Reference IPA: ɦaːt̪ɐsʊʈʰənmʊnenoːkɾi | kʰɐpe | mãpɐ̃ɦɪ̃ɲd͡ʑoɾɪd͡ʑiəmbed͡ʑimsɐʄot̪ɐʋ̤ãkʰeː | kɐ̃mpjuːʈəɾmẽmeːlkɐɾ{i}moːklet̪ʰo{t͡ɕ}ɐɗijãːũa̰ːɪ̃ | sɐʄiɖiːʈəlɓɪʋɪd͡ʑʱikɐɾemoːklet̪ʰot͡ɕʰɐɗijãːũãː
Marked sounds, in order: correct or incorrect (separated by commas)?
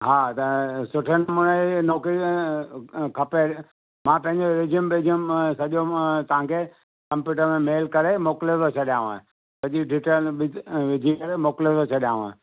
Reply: incorrect, incorrect